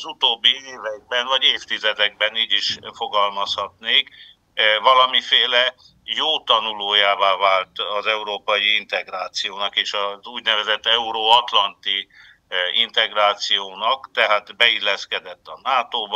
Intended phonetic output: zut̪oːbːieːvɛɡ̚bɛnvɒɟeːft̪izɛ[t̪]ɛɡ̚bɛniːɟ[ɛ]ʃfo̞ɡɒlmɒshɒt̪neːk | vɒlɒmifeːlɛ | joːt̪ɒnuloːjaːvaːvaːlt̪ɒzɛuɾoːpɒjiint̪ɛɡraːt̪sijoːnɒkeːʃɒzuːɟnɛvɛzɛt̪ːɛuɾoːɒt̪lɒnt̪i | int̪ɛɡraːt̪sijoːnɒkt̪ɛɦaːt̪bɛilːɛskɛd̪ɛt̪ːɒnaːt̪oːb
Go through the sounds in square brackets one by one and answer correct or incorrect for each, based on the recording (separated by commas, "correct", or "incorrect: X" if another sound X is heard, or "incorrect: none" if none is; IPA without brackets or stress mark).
incorrect: d̪, incorrect: i